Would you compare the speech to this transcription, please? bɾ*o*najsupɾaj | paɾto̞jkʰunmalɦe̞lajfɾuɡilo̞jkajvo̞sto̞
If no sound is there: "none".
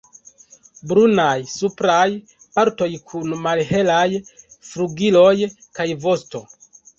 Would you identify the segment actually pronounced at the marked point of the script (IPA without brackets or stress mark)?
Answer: u